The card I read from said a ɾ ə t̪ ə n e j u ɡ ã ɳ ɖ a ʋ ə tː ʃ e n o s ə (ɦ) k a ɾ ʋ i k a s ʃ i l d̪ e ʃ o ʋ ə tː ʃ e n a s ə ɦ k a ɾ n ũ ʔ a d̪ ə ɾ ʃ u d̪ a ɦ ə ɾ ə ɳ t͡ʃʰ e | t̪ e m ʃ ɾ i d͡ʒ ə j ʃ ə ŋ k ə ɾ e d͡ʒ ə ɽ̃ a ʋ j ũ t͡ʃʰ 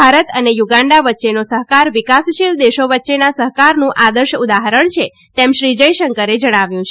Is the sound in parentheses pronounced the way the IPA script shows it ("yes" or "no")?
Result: yes